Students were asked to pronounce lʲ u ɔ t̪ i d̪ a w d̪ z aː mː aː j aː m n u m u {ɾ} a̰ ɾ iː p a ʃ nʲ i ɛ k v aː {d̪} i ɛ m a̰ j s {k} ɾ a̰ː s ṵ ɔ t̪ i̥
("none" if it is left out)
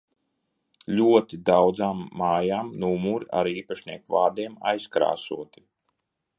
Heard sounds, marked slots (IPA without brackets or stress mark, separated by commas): ɾ, d̪, k